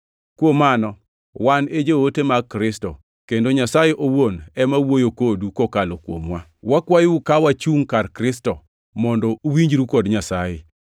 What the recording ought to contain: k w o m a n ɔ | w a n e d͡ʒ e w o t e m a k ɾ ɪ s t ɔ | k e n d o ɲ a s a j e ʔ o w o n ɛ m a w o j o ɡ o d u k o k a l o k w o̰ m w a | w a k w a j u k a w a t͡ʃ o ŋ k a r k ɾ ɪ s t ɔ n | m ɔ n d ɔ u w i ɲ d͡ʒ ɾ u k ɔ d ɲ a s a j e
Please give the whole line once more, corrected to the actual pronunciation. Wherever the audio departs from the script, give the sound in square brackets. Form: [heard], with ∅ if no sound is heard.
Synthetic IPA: k w o m a n ɔ | w a n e d͡ʒ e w o t e m a k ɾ ɪ s t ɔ | k e n d o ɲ a s a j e ʔ o w o n ɛ m a w o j o [k] o d u k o k a l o k w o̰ m w a | w a k w a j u k a w a t͡ʃ [u] ŋ k a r k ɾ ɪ s t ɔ [∅] | m ɔ n d ɔ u w i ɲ d͡ʒ ɾ u k ɔ d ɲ a s a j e